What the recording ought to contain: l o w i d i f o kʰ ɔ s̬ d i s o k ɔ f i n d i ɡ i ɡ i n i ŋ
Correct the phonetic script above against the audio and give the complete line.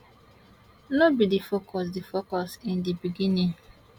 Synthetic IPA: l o b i d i f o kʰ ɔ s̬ d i f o k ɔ s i n d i b i ɡ i n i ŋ